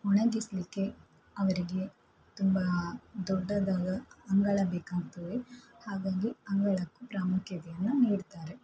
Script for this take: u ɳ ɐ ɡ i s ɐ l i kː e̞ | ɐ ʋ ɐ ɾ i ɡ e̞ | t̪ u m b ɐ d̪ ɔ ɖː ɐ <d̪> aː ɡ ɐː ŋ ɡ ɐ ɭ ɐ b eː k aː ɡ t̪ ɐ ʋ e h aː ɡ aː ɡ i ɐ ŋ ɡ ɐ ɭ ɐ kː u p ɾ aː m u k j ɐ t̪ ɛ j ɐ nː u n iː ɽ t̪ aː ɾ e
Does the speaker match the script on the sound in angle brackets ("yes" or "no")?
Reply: yes